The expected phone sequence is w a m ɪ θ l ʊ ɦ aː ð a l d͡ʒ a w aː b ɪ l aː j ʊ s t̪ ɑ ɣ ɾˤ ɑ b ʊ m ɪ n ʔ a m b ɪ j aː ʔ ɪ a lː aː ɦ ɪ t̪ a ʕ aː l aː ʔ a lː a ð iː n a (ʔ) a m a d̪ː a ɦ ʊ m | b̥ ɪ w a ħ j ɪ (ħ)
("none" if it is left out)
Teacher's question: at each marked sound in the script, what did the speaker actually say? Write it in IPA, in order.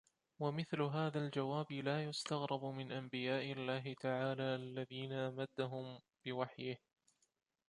ʔ, h

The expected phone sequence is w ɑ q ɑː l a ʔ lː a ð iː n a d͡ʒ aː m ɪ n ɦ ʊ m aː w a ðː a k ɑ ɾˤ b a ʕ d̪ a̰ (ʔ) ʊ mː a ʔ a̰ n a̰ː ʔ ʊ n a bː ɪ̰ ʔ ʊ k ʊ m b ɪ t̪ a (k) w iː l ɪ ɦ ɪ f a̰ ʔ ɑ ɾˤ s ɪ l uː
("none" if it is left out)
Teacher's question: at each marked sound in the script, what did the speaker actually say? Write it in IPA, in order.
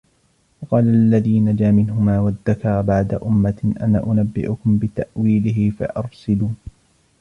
ʔ, ʔ

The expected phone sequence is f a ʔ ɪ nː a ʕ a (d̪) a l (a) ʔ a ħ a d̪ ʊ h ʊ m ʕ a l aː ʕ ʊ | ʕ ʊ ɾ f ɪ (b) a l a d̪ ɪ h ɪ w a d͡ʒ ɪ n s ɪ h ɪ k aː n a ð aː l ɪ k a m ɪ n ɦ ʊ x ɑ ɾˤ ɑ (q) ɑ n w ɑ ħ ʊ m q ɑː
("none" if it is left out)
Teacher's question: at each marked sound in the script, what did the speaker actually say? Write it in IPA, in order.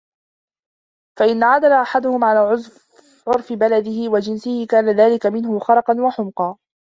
d̪, a, b, q

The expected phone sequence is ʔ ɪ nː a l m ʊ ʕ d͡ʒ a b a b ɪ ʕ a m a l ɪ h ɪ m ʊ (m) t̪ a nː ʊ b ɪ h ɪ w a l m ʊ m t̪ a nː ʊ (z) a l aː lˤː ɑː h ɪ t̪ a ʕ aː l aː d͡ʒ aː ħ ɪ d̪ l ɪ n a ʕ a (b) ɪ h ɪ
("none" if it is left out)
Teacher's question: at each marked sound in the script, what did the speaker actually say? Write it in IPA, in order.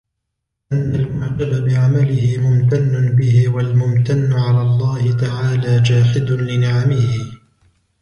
m, ʕ, m

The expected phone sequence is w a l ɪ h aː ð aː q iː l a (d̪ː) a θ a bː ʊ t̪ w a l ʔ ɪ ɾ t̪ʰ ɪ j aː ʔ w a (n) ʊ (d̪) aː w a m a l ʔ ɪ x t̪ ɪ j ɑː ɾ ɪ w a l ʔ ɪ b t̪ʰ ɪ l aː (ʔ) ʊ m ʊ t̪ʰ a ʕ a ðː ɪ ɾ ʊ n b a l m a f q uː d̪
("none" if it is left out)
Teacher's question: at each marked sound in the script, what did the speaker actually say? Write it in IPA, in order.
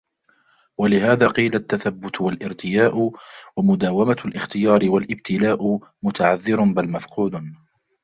t̪ː, m, d̪, ʔ

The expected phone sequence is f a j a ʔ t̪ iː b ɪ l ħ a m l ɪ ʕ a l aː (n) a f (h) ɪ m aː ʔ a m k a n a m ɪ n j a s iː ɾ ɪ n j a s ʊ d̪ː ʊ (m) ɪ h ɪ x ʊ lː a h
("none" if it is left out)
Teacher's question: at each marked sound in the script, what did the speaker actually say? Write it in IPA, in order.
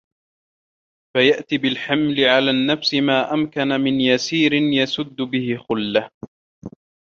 nː, s, b

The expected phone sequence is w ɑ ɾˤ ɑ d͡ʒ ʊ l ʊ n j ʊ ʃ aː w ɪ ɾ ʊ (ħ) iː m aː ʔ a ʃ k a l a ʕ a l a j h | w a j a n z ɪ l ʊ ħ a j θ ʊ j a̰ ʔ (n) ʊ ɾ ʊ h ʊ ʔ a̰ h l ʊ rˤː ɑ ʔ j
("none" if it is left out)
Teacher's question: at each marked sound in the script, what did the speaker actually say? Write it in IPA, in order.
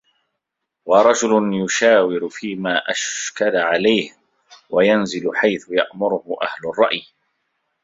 f, m

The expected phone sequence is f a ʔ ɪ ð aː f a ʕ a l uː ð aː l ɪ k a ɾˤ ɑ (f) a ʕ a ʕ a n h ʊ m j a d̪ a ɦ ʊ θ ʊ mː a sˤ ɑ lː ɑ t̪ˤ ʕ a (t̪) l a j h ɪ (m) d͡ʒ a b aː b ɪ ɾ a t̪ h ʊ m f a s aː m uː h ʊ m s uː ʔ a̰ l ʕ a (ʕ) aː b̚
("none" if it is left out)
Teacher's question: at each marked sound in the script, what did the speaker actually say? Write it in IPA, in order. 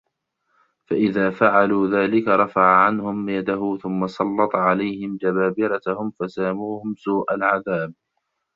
f, none, m, ð

